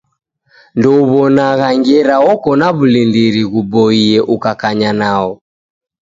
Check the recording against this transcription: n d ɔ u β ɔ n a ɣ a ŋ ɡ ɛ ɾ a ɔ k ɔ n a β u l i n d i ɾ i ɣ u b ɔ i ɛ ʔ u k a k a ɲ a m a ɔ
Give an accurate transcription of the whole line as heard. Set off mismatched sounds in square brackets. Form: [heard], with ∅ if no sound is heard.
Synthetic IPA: n d ɔ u β ɔ n a ɣ a ŋ ɡ ɛ ɾ a ɔ k ɔ n a β u l i n d i ɾ i ɣ u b ɔ i ɛ ʔ u k a k a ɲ a [n] a ɔ